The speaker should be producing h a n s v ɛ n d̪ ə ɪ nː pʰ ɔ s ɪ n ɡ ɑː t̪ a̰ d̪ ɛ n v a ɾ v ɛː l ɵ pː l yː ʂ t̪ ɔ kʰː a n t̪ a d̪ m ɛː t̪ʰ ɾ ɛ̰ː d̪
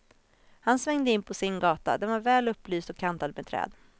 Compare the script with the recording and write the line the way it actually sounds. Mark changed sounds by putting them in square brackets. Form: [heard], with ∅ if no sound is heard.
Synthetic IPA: h a n s v ɛ [ŋ] d̪ ə ɪ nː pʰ ɔ s ɪ n ɡ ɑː t̪ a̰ d̪ ɛ n v a ɾ v ɛː l ɵ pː l yː [s] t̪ ɔ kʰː a n t̪ a d̪ m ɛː t̪ʰ ɾ ɛ̰ː d̪